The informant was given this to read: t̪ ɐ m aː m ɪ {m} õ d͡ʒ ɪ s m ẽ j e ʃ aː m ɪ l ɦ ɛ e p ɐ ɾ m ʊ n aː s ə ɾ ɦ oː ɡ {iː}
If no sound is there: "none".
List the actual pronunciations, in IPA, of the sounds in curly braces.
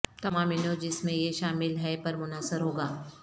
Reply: n, aː

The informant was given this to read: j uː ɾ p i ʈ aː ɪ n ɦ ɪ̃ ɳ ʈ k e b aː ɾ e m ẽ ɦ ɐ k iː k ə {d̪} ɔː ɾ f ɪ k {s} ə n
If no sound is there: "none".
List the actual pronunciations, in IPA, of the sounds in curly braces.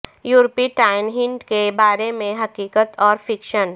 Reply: t̪, ʃ

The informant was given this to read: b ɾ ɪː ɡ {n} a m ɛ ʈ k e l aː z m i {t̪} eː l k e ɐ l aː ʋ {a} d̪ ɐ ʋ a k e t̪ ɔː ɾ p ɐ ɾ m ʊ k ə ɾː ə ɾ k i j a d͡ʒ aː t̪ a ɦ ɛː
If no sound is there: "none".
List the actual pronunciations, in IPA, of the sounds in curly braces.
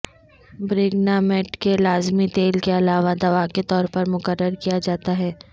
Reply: n, t̪, a

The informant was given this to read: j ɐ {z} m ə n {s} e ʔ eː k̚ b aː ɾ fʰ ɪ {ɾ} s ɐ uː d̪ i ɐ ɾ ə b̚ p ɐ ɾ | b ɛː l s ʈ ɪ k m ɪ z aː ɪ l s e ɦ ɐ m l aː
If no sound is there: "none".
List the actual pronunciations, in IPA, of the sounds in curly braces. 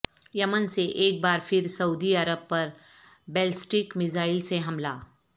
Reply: none, s, ɾ

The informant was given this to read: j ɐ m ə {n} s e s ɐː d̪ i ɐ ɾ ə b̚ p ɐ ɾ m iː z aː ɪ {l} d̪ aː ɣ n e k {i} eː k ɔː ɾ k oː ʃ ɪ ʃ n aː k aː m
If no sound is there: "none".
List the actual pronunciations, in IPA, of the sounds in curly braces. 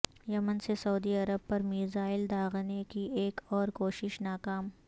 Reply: n, l, i

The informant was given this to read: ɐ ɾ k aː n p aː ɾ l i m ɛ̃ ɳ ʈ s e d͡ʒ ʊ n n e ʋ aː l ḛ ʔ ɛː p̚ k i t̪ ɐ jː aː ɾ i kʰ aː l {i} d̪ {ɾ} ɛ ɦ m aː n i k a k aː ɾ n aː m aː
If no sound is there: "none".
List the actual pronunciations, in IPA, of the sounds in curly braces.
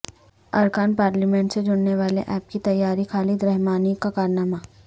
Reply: i, ɾ

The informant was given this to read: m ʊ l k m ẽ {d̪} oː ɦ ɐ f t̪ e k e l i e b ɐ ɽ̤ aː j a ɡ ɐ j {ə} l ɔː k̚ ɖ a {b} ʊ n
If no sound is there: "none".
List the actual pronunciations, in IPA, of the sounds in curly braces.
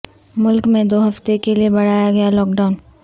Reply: d̪, a, none

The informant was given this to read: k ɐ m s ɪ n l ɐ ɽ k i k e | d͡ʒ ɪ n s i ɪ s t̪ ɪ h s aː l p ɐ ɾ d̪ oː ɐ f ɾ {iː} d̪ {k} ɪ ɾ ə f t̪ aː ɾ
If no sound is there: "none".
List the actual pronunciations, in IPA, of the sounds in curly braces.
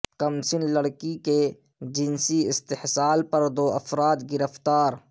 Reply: aː, ɡ

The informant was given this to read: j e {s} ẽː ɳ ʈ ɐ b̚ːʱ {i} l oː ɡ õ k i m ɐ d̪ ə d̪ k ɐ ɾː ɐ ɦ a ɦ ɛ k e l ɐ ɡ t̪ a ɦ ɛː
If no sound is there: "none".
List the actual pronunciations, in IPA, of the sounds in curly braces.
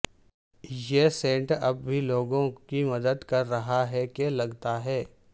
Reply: s, i

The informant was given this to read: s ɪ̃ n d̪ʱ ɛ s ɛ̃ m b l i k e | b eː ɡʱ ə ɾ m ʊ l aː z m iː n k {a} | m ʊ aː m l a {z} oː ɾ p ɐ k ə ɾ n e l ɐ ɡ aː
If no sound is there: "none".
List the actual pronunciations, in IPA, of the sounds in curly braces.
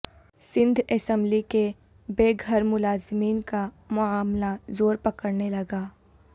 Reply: a, z

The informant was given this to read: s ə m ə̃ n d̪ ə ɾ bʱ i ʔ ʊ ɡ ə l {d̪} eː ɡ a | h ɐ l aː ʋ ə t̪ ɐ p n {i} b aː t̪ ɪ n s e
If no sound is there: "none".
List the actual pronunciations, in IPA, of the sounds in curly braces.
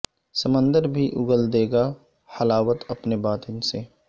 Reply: d̪, e

